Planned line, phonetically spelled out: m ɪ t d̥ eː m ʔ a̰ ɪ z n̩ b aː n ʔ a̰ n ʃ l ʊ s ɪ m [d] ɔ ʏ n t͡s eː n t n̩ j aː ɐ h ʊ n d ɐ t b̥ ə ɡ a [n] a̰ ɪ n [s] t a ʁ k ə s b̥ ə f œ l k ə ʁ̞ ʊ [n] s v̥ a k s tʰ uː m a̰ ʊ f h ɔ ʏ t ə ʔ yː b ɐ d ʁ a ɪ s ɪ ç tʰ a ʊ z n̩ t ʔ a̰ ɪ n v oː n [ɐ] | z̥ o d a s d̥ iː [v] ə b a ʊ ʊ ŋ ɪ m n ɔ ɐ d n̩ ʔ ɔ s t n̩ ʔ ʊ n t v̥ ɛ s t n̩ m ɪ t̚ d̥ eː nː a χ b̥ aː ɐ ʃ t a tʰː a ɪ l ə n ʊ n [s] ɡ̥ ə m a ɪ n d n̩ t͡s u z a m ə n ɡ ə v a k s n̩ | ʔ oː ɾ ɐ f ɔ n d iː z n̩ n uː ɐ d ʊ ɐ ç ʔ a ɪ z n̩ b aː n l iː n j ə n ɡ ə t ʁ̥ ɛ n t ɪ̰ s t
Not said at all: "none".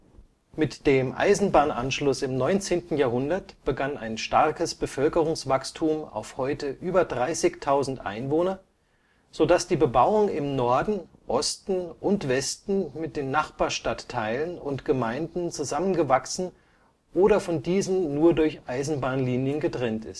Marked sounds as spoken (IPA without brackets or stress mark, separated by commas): n, n, ʃ, ŋ, ɐ, b, t